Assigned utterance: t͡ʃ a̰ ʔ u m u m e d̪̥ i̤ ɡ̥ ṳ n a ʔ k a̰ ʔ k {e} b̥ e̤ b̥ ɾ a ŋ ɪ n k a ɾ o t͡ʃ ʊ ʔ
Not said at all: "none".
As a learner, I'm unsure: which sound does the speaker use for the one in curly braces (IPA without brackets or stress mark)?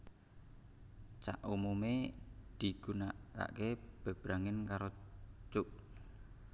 e